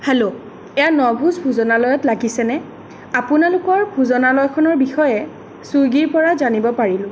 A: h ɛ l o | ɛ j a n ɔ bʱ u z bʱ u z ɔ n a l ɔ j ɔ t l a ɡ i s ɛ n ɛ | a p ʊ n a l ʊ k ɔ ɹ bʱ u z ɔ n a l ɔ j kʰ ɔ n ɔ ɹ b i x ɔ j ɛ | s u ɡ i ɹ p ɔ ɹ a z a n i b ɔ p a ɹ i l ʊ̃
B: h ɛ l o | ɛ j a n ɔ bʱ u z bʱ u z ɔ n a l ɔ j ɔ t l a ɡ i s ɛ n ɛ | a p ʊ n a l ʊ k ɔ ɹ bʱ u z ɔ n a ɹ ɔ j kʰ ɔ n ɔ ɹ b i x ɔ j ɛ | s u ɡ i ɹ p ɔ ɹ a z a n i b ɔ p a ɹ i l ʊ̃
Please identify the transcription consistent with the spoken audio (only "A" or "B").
A